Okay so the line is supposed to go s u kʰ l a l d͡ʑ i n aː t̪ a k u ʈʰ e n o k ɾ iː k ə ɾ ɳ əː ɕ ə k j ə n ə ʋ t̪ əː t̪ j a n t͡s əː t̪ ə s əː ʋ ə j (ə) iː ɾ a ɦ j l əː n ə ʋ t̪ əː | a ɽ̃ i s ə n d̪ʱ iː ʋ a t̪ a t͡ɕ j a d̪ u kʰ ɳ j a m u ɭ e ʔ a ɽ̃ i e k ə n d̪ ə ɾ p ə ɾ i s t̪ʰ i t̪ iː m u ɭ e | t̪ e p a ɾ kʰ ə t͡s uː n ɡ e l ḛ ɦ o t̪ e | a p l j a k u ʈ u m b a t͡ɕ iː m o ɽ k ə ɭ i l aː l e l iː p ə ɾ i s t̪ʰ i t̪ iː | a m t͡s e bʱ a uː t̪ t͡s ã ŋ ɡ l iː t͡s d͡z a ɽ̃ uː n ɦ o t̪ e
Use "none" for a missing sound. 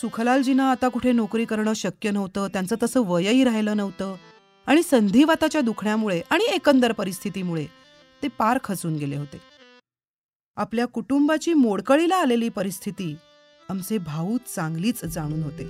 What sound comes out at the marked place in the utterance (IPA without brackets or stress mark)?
ə